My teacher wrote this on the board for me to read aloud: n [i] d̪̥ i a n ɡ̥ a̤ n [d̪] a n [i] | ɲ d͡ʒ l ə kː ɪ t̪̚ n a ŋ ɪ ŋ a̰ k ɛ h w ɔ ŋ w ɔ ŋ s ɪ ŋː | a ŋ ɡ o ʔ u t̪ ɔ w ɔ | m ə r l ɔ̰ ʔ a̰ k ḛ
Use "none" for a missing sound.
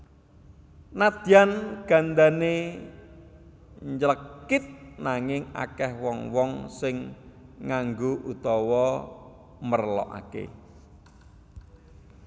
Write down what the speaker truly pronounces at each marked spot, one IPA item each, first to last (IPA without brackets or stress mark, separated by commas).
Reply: a, d̪, e